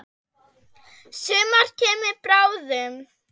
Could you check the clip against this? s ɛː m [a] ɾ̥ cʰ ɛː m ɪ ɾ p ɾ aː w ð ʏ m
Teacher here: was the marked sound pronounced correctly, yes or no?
yes